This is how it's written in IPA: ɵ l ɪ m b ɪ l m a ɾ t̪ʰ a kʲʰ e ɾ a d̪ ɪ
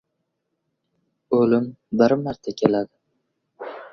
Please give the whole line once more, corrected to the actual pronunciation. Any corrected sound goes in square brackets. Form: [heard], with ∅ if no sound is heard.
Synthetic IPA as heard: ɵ l ɪ m b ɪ [ɾ] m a ɾ t̪ʰ a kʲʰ e [l] a d̪ ɪ